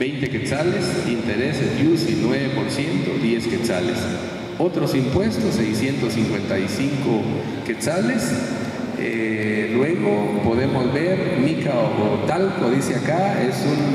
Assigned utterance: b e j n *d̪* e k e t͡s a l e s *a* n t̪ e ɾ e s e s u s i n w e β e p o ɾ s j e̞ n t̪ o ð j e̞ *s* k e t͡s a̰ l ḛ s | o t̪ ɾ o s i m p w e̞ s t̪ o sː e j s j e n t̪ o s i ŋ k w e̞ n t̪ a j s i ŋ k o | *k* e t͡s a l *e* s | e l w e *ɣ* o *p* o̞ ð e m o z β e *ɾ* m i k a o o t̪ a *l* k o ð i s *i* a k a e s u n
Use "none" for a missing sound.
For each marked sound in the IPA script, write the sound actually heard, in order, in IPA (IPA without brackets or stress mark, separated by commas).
t̪, i, s, k, e, ɣ, p, ɾ, l, e